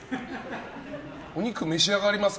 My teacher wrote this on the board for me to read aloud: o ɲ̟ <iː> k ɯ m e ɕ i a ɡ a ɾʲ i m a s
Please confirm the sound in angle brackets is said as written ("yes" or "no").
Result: no